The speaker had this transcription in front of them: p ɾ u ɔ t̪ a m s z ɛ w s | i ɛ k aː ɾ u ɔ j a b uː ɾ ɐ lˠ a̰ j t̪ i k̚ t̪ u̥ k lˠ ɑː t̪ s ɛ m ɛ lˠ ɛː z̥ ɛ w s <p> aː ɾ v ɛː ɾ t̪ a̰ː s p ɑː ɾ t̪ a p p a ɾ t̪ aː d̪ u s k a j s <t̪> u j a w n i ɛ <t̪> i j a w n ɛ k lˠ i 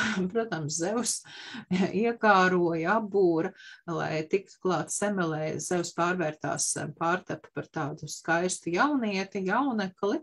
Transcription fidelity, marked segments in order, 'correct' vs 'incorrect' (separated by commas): correct, correct, correct